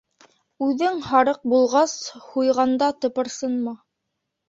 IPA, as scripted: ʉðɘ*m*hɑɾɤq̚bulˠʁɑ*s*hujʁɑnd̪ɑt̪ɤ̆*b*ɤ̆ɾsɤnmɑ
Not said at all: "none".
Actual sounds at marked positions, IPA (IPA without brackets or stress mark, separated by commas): ŋ, s, p